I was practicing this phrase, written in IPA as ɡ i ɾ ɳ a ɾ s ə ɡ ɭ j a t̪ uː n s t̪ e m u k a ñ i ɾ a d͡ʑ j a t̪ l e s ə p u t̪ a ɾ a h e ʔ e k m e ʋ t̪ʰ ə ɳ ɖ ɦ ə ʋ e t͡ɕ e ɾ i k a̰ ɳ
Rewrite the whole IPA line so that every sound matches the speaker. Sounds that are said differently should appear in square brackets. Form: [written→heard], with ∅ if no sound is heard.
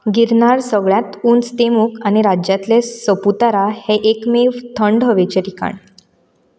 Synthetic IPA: ɡ i ɾ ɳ a ɾ s ə ɡ ɭ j a t̪ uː n s t̪ e m u k a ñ i ɾ a d͡ʑ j a t̪ l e s ə p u t̪ a ɾ a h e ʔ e k m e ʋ t̪ʰ ə ɳ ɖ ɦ ə ʋ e t͡ɕ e ɾ i k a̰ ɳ